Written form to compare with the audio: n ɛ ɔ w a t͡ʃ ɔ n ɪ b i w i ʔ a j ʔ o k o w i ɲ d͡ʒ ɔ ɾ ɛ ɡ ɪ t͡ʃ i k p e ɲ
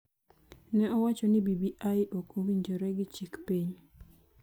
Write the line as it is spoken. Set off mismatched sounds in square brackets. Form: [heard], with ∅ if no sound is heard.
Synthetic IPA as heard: n ɛ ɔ w a t͡ʃ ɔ n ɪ b i [b] i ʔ a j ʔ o k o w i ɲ d͡ʒ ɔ ɾ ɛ ɡ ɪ t͡ʃ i k p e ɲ